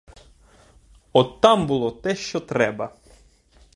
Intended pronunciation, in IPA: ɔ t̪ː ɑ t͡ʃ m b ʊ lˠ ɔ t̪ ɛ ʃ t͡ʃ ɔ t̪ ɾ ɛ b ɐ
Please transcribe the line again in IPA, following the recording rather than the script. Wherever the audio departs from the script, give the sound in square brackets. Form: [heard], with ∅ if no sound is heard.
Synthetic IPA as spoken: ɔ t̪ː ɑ [∅] m b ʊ lˠ ɔ t̪ ɛ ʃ t͡ʃ ɔ t̪ ɾ ɛ b ɐ